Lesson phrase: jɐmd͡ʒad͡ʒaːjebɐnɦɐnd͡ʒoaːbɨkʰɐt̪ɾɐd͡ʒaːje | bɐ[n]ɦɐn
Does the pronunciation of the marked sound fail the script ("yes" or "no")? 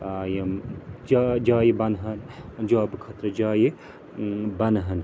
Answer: no